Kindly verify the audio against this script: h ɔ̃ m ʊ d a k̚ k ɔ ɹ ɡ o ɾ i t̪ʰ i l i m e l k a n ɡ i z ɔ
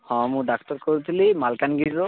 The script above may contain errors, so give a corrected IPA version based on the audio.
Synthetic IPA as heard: h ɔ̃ m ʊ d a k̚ t ɔ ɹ k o ɹ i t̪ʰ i l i m a l k a n ɡ i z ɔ